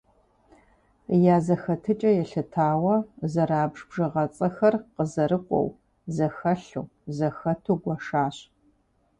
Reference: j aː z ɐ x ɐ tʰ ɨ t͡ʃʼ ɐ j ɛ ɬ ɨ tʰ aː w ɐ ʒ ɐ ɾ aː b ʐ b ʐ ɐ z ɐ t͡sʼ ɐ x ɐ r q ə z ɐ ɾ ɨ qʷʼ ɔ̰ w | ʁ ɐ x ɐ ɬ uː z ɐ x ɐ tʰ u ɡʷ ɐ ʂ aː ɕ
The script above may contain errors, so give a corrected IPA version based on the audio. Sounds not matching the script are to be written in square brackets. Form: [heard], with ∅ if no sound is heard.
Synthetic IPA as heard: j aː z ɐ x ɐ tʰ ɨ t͡ʃʼ ɐ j ɛ ɬ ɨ tʰ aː w ɐ [z] ɐ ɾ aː b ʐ b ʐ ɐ [ʁ] ɐ t͡sʼ ɐ x ɐ r q ə z ɐ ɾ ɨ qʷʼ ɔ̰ w | [z] ɐ x ɐ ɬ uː z ɐ x ɐ tʰ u ɡʷ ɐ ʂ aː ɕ